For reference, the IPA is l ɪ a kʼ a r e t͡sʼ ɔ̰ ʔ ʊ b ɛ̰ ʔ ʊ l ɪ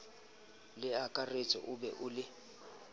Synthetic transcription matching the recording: l ɪ a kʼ a r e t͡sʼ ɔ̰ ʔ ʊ b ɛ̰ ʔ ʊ l ɪ